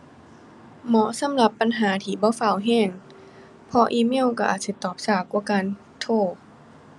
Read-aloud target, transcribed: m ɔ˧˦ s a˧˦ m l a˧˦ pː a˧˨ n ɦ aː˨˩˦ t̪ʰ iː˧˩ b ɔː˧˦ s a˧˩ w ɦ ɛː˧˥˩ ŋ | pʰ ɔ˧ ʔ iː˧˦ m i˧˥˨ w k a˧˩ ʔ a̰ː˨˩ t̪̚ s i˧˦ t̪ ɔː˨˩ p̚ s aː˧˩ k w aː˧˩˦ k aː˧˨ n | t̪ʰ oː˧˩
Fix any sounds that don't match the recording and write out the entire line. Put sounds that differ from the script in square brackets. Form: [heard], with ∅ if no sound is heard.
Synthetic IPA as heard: m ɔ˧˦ s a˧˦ m l a˧˦ pː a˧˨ n ɦ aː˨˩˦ t̪ʰ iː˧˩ b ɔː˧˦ [f] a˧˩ w ɦ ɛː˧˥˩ ŋ | pʰ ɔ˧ ʔ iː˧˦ m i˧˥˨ w k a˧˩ ʔ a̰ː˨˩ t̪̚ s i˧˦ t̪ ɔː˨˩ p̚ s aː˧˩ k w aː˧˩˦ k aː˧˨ n | t̪ʰ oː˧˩